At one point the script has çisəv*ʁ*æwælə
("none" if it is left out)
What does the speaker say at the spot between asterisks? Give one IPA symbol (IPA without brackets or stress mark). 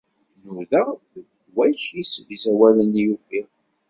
z